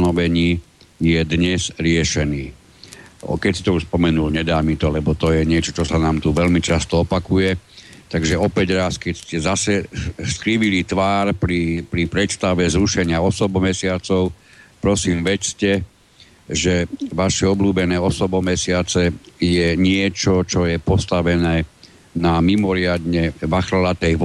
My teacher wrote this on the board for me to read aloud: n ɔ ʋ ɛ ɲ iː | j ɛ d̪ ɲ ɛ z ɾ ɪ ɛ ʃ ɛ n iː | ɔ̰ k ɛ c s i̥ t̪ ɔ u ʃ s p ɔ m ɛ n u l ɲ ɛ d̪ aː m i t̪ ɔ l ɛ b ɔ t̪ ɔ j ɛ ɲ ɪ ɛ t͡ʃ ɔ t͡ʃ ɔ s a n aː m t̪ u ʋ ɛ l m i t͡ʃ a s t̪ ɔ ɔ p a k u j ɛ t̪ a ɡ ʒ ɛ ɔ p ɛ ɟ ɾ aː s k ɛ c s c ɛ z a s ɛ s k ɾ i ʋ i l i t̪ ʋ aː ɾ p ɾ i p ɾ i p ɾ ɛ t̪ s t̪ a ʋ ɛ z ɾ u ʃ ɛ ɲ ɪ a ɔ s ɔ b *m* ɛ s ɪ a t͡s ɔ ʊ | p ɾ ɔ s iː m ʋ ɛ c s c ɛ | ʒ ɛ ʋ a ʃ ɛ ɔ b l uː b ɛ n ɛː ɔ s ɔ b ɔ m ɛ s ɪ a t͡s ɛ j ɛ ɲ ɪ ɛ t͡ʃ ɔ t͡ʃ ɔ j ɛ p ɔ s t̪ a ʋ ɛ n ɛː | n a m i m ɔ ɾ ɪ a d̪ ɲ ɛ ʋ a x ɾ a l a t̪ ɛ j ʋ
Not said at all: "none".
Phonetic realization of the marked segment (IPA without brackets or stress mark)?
m